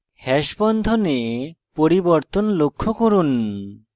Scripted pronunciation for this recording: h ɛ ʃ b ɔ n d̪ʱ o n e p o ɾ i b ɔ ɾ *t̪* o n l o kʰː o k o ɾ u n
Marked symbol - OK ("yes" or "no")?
yes